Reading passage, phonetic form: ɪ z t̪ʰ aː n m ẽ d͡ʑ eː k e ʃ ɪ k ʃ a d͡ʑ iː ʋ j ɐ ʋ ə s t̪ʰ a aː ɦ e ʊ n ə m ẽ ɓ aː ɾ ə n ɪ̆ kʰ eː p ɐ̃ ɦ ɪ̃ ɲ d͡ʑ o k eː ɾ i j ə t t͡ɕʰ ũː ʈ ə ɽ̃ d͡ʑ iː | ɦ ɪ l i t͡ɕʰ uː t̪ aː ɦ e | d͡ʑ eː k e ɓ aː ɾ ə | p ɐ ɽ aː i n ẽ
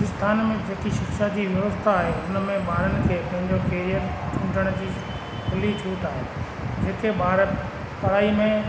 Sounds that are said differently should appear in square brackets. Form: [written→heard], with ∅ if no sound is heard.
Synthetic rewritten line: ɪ [z→s] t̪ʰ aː n m ẽ d͡ʑ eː k [e→i] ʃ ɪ k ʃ a d͡ʑ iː ʋ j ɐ ʋ ə s t̪ʰ a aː ɦ e ʊ n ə m ẽ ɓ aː ɾ ə n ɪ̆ kʰ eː p ɐ̃ ɦ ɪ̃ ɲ d͡ʑ o k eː ɾ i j ə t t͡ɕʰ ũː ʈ ə ɽ̃ d͡ʑ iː | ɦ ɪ l i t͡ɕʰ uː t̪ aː ɦ e | d͡ʑ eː k e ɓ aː ɾ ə | p ɐ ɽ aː i [n→m] ẽ